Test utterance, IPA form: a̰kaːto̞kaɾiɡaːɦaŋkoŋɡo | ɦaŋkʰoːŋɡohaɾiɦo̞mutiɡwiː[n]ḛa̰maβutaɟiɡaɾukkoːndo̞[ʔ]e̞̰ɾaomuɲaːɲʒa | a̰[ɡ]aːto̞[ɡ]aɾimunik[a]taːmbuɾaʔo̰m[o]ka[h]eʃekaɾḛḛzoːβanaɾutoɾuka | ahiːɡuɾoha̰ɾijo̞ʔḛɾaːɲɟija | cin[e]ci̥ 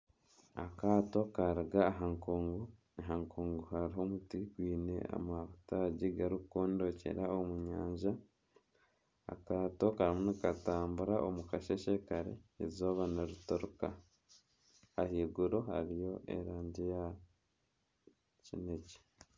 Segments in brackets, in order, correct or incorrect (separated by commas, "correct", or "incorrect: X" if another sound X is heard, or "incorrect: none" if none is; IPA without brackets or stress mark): correct, incorrect: c, incorrect: k, incorrect: k, correct, incorrect: u, incorrect: ʃ, correct